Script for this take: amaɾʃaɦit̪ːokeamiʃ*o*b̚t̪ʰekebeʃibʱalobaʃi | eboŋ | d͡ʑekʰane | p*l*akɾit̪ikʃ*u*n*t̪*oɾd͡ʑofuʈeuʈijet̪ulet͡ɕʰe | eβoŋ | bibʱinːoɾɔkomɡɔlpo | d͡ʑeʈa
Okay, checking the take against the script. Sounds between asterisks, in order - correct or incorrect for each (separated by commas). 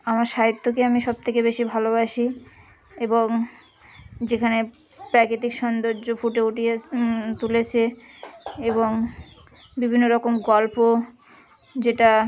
incorrect, incorrect, incorrect, incorrect